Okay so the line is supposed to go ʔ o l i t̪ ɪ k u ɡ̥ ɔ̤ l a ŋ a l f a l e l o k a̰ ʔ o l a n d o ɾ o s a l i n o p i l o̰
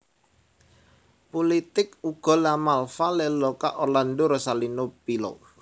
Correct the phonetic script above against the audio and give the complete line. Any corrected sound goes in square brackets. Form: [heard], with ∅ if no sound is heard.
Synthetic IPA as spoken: [p] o l i t̪ ɪ k u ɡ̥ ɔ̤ l a [m] a l f a l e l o k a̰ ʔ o l a n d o ɾ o s a l i n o p i l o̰